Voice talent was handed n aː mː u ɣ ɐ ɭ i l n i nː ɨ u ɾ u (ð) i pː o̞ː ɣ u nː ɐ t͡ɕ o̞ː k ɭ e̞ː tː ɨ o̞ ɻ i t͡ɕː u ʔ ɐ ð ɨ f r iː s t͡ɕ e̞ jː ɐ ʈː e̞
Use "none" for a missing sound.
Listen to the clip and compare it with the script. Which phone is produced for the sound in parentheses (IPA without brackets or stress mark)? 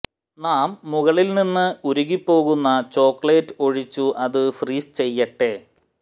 ɣ